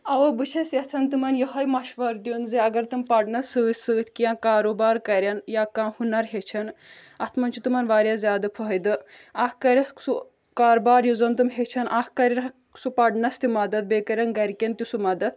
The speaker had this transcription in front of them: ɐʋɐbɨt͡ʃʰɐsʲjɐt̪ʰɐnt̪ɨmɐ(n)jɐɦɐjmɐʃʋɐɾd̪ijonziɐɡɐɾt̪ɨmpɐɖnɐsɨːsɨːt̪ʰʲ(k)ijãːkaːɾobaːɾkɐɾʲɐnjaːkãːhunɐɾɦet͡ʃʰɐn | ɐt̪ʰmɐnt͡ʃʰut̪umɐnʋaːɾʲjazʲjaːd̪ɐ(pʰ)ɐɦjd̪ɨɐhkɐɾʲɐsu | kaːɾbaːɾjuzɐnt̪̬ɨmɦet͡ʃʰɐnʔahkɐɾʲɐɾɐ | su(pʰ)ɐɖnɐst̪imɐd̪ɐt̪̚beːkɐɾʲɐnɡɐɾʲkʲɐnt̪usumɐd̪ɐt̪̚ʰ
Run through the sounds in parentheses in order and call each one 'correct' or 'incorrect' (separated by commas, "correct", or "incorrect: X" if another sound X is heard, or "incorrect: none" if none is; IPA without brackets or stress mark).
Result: correct, correct, correct, incorrect: p